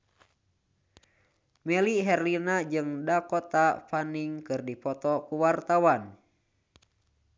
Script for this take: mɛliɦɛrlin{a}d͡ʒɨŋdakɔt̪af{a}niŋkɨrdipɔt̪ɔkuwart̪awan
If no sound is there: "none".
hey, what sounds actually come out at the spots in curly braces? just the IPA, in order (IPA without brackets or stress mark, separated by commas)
a, a